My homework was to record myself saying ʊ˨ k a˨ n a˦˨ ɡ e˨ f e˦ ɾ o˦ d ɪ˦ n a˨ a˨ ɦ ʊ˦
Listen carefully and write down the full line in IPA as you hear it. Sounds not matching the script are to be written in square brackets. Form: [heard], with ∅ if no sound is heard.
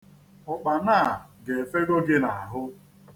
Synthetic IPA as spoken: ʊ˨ [k͡p] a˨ n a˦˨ ɡ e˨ f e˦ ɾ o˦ [ɡ] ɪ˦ n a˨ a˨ ɦ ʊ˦